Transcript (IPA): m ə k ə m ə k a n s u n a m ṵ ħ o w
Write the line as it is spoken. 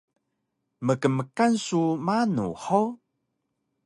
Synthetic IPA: m ə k ə m ə k a n s u m a n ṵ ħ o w